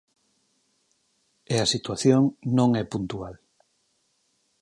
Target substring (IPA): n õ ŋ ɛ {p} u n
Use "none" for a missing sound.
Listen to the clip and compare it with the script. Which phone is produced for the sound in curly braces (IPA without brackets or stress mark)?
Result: p